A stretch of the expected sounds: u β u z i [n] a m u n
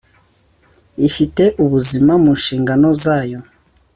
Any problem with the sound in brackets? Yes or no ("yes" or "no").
yes